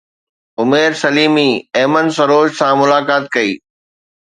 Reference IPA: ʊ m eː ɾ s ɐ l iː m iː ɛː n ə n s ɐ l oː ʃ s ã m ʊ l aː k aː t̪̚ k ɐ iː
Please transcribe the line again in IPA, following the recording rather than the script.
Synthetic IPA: ʊ m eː ɾ s ɐ l iː m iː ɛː m ə n s ɐ ɾ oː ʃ s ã m ʊ l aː k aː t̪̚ k ɐ iː